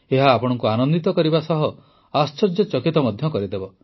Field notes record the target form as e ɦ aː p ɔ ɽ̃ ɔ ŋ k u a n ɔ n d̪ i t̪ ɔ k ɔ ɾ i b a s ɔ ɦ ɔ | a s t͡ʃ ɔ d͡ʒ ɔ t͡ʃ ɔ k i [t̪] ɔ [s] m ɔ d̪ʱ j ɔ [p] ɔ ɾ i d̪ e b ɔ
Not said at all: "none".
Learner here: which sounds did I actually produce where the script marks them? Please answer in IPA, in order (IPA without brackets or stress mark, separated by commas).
t̪, none, k